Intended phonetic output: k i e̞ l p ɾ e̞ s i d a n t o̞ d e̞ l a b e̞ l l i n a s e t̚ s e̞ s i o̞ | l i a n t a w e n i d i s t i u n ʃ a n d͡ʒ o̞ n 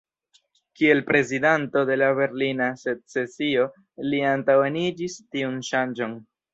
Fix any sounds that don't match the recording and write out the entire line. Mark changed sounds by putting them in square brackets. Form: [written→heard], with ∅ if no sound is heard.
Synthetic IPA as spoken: k i e̞ l p ɾ e̞ [s→z] i d a n t o̞ d e̞ l a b e̞ [l→ɾ] l i n a s e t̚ s e̞ s i o̞ | l i a n t a w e n i [d→d͡ʒ] i s t i u n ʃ a n d͡ʒ o̞ n